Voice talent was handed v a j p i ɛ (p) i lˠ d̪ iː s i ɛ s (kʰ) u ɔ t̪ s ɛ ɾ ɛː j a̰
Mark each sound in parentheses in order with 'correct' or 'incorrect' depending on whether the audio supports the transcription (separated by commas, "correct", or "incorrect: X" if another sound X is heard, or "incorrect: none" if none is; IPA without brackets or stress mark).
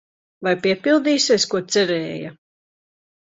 correct, incorrect: k